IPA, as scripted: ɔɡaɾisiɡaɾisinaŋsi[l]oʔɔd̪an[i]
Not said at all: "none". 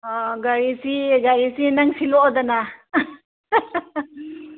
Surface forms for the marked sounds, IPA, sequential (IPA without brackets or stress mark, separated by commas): l, a